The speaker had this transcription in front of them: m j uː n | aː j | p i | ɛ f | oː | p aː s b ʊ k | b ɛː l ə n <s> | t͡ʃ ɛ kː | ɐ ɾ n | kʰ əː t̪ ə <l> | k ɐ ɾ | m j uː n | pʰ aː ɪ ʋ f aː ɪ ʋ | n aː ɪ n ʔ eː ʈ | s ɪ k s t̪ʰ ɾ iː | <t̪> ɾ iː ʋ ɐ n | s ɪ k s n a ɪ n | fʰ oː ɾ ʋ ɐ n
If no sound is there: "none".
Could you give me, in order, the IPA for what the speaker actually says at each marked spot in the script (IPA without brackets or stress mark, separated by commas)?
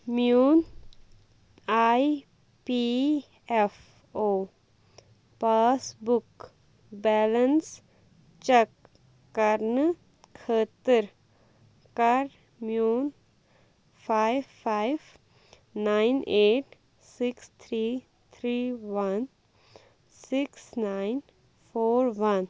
s, ɾ, t̪ʰ